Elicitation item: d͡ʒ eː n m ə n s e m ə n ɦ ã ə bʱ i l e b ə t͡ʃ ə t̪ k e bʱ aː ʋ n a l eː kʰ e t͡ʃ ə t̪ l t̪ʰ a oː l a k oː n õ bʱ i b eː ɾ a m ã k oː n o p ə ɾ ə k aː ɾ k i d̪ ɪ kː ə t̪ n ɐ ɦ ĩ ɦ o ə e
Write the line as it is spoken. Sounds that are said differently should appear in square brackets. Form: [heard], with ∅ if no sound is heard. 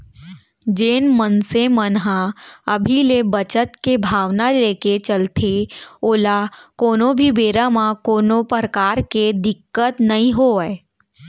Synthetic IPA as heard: d͡ʒ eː n m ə n s e m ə n ɦ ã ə bʱ i l e b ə t͡ʃ ə t̪ k e bʱ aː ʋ n a l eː [k] e t͡ʃ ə [∅] l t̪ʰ [e] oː l a k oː n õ bʱ i b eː ɾ a m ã k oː n o p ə ɾ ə k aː ɾ k [e] d̪ ɪ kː ə t̪ n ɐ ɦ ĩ ɦ o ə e